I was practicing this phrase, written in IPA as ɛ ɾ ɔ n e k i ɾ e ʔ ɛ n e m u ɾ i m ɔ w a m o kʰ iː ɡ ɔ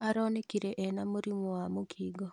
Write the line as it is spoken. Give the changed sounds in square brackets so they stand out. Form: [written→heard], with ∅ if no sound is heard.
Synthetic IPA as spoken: [ɛ→a] ɾ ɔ n e k i ɾ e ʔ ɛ n [e→a] m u ɾ i m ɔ w a m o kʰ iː ɡ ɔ